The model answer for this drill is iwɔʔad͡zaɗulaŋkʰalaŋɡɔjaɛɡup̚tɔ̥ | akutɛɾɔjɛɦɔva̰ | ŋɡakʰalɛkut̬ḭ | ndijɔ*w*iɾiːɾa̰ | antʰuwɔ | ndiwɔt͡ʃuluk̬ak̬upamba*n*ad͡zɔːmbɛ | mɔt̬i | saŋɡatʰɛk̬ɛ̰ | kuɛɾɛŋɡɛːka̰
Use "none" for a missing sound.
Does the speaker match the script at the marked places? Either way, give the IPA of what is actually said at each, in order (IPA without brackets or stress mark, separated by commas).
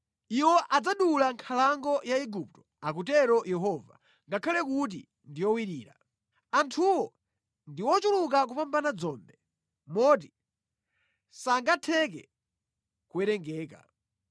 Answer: w, n